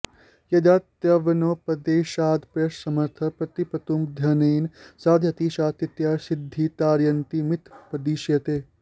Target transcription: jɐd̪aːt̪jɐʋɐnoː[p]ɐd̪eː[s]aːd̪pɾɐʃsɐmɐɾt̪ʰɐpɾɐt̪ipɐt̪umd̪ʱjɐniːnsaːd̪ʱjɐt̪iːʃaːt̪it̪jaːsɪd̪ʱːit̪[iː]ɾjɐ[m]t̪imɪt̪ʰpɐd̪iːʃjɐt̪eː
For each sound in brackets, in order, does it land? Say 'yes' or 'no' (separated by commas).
yes, no, no, no